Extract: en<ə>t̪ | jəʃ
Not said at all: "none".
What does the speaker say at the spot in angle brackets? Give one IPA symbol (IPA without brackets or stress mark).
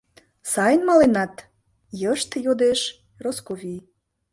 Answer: ɑ